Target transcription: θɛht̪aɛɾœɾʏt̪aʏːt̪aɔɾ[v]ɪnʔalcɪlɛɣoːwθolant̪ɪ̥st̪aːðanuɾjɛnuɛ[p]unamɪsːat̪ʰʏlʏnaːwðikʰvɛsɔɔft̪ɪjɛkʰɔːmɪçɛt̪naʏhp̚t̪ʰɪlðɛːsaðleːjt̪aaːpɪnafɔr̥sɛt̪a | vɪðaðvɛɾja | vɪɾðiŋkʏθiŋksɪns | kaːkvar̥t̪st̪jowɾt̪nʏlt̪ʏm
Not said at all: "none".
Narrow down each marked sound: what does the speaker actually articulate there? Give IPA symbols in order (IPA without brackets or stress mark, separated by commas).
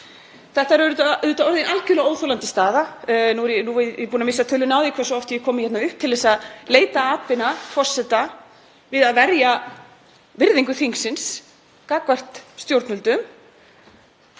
ð, p